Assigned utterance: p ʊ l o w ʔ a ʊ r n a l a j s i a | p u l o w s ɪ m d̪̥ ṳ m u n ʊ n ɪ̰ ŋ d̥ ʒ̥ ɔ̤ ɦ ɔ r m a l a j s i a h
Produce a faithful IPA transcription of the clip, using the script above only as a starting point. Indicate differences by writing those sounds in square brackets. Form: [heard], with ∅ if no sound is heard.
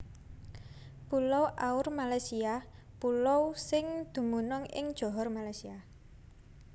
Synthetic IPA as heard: p [u] l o w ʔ a ʊ r [m] a l a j s i a | p u l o w s ɪ [ŋ] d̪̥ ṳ m u n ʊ [ŋ] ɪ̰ ŋ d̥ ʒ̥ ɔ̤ ɦ ɔ r m a l a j s i a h